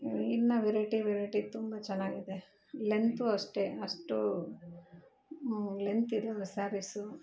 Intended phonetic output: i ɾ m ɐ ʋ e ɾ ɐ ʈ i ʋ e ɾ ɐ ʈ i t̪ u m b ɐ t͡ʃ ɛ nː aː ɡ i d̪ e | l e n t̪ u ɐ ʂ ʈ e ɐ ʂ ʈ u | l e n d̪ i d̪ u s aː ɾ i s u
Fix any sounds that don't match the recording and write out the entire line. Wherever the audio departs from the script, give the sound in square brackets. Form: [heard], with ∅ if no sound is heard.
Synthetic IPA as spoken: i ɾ [n] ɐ ʋ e ɾ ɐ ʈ i ʋ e ɾ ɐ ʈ i t̪ u m b ɐ t͡ʃ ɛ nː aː ɡ i d̪ e | l e n t̪ u ɐ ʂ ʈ e ɐ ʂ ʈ u | l e n [t̪] i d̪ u s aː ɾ i s u